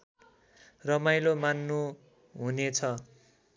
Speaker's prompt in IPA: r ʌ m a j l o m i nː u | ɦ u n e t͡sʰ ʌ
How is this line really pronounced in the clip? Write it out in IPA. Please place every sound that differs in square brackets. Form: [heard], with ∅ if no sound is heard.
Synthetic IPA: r ʌ m a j l o m [a] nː u | ɦ u n e t͡sʰ ʌ